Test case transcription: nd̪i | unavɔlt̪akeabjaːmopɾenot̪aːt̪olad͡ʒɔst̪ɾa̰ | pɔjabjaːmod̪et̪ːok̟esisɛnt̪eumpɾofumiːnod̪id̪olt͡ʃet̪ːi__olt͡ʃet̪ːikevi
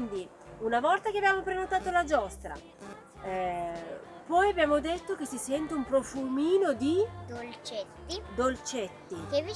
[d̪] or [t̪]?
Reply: d̪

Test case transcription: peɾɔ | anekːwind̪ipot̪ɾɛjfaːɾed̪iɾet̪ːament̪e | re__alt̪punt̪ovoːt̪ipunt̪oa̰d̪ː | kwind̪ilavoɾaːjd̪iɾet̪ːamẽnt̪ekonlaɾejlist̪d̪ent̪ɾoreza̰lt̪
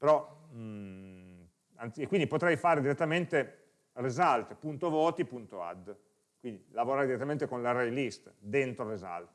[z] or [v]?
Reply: z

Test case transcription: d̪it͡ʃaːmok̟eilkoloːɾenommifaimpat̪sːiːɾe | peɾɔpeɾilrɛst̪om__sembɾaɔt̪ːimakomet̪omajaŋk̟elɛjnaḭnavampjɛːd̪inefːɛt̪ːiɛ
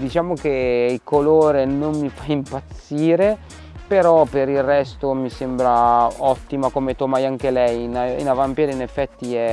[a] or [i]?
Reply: i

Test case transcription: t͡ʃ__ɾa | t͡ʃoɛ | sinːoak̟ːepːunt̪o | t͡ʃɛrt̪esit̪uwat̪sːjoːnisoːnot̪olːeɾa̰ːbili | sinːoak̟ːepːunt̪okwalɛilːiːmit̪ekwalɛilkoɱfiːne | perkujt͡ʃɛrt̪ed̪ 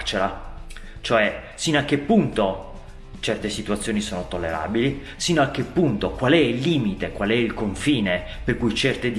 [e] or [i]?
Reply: e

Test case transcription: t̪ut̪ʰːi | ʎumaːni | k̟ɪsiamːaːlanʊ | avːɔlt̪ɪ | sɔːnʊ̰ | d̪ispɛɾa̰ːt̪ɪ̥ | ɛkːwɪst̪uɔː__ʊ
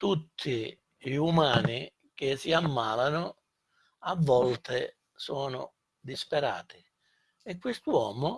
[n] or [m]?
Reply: m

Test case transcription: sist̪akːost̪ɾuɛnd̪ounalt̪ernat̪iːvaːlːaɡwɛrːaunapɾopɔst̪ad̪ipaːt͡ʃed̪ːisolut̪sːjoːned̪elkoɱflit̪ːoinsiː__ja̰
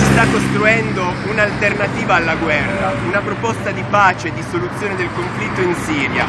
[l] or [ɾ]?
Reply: ɾ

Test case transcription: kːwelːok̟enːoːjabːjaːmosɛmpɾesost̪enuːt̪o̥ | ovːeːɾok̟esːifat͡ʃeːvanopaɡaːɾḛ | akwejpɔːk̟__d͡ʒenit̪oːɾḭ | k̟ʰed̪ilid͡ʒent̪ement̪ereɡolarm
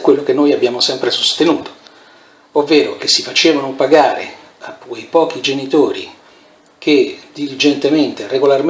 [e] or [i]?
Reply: i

